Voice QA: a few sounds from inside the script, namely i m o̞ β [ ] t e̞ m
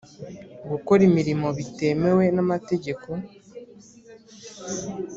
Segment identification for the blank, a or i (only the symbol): i